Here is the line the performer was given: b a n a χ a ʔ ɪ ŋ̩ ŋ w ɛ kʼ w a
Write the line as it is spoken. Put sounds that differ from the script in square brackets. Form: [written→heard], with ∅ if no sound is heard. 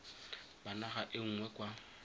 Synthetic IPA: b a n a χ a ʔ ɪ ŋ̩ ŋ w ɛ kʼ w a

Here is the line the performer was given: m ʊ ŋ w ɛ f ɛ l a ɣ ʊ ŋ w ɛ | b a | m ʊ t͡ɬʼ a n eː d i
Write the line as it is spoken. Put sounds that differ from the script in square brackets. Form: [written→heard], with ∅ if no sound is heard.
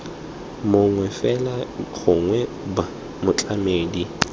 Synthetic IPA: m ʊ ŋ w ɛ f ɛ l a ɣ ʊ ŋ w ɛ | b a | m ʊ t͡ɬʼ a [n→m] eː d i

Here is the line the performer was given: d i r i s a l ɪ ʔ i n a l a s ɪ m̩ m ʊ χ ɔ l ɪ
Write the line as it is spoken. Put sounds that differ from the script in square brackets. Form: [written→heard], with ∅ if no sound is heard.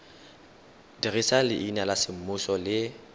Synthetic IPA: d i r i s a l ɪ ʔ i n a l a s ɪ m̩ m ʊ [χ→s] ɔ l ɪ

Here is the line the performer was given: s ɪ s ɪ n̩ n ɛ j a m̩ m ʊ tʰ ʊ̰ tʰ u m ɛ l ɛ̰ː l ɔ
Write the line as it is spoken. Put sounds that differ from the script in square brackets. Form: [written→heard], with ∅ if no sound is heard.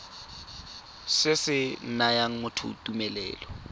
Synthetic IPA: s ɪ s ɪ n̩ n [ɛ→a] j a [m̩→ŋ̩] m ʊ tʰ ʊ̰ [tʰ→t] u m ɛ l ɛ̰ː l ɔ

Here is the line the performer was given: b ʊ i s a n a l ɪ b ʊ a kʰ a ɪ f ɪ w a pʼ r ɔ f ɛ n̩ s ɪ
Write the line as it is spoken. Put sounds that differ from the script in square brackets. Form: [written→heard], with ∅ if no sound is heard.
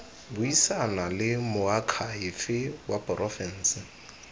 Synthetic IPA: b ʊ i s a n a l ɪ [b→m] ʊ a kʰ a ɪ f ɪ w a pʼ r ɔ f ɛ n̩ s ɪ

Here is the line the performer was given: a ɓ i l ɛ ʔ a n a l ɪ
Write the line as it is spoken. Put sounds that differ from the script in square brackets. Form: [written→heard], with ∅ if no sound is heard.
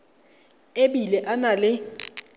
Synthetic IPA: [a→e] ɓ i l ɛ ʔ a n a l ɪ

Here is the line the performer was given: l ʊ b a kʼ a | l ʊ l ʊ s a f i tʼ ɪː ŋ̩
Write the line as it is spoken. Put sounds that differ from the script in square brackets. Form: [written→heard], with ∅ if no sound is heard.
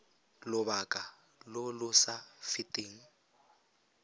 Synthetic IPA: l ʊ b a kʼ a | l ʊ l ʊ s a f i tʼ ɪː ŋ̩

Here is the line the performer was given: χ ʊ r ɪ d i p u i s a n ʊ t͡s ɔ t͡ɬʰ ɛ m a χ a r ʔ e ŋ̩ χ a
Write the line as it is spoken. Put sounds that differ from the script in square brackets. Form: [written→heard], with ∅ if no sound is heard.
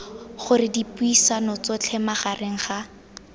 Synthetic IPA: χ ʊ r ɪ d i p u i s a n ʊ t͡s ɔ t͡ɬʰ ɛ m a χ a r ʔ e ŋ̩ χ a

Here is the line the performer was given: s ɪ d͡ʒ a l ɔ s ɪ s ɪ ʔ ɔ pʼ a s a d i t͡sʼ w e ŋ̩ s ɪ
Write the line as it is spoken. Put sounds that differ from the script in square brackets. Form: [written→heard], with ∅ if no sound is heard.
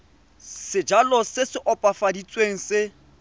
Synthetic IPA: s ɪ d͡ʒ a l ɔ s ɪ s ɪ ʔ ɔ pʼ a [s→f] a d i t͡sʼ w e ŋ̩ s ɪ

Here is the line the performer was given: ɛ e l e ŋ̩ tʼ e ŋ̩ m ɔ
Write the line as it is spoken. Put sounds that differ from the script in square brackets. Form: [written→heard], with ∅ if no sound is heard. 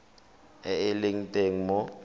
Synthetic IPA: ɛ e l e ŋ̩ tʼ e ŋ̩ m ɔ

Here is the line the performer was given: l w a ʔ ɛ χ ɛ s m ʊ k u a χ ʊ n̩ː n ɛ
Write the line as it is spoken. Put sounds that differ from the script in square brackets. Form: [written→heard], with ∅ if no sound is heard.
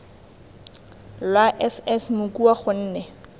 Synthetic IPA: l w a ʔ ɛ [χ→s] ɛ s m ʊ k u a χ ʊ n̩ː n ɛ

